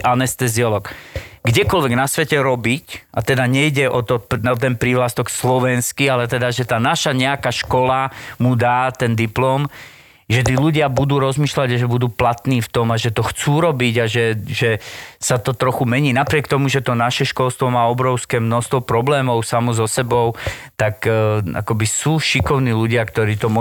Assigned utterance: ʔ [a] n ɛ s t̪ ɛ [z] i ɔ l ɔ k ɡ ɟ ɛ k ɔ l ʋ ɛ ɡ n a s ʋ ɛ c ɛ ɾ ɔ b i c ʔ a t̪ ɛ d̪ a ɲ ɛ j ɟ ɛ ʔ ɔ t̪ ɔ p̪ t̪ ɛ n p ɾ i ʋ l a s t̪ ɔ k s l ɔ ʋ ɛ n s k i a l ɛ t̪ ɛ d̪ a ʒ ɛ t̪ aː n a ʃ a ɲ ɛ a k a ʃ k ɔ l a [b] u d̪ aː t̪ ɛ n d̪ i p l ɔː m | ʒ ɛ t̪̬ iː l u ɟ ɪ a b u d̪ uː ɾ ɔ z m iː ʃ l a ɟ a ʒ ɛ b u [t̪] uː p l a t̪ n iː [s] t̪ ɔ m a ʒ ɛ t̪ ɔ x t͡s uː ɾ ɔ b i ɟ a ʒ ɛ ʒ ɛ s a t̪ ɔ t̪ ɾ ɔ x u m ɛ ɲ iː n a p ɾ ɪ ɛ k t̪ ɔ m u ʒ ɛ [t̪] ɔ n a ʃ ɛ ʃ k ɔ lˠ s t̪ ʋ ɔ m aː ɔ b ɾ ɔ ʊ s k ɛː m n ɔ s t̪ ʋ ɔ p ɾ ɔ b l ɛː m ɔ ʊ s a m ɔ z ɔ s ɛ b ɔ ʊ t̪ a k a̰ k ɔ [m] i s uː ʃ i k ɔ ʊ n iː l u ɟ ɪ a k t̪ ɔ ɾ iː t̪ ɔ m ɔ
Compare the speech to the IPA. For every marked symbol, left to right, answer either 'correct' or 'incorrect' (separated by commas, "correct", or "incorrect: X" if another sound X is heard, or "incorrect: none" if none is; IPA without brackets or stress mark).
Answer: correct, correct, incorrect: m, incorrect: d̪, incorrect: f, correct, incorrect: b